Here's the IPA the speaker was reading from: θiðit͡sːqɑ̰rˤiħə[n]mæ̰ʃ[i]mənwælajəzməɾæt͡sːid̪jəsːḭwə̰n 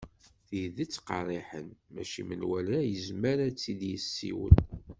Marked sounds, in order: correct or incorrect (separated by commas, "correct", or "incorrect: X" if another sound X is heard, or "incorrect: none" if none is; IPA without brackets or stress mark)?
correct, correct